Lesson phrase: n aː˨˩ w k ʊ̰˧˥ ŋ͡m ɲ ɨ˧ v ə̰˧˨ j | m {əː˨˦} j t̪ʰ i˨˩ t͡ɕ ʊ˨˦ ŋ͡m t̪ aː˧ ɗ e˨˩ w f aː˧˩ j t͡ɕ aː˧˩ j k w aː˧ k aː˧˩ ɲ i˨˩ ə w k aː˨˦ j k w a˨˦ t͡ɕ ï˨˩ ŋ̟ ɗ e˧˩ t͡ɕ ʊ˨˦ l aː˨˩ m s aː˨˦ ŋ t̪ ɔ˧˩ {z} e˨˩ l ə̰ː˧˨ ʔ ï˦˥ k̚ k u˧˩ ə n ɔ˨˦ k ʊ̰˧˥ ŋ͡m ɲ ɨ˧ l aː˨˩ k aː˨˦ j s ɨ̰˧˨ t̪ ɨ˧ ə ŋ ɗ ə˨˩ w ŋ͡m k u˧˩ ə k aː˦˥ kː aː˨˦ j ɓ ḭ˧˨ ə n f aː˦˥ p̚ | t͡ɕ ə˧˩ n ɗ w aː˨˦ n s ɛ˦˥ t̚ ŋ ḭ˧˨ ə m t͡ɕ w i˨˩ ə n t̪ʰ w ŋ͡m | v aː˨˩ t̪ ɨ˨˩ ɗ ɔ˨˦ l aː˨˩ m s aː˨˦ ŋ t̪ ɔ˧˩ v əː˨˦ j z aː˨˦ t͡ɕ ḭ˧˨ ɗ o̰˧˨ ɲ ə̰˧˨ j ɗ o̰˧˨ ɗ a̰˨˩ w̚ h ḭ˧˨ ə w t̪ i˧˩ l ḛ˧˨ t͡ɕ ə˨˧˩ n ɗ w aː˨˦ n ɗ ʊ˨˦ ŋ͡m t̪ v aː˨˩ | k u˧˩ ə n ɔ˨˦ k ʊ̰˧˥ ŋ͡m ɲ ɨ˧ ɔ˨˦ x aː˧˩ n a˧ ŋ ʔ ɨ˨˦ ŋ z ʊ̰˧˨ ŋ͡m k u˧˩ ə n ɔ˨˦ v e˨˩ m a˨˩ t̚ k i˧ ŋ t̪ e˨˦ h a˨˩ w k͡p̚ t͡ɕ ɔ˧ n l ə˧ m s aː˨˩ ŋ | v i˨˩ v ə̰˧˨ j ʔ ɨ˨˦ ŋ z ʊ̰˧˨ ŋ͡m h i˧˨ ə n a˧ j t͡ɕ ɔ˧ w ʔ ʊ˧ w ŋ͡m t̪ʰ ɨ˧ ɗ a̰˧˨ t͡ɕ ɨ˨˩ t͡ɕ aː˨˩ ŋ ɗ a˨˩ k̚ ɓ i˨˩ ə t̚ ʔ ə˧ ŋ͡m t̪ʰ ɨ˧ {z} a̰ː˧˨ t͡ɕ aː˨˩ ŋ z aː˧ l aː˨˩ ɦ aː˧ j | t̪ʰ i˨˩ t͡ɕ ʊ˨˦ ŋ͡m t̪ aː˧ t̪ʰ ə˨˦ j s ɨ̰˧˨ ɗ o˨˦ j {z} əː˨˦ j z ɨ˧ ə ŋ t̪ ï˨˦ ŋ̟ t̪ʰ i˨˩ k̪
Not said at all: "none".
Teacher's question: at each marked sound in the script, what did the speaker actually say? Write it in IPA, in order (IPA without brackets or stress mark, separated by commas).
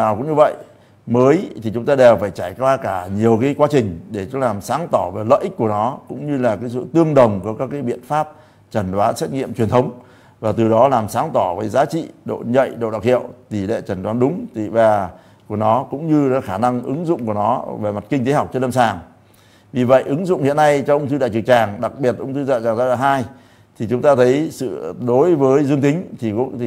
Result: əː˨˦, v, z, v